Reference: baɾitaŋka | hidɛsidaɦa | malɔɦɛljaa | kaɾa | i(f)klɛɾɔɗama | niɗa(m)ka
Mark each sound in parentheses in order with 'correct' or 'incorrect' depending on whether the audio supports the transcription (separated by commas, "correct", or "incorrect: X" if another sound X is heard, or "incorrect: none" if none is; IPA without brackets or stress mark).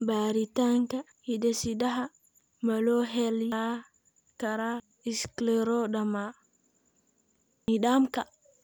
incorrect: s, correct